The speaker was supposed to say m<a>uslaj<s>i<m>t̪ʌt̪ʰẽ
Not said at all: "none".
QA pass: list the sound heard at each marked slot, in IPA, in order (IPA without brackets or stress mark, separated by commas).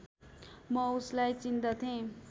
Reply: ʌ, t͡s, n